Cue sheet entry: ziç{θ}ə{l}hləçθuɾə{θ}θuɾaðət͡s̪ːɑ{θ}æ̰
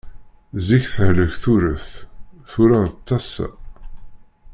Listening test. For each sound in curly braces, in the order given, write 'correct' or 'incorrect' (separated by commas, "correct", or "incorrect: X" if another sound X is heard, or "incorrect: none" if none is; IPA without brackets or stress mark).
correct, incorrect: none, correct, incorrect: s